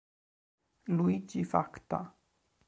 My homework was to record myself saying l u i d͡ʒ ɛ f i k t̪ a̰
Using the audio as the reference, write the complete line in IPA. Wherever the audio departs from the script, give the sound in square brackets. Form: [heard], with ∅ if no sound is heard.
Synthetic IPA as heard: l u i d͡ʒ [i] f [a] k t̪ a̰